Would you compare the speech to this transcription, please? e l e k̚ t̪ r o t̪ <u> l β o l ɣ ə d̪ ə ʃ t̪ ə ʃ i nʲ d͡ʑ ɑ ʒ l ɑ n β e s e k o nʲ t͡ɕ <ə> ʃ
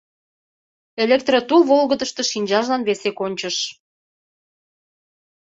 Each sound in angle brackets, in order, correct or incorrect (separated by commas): correct, correct